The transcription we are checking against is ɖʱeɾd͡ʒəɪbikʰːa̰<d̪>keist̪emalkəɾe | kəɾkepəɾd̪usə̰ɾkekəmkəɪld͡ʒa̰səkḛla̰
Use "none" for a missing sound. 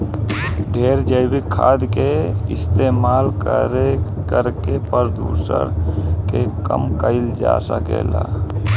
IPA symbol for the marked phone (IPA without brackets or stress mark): d̪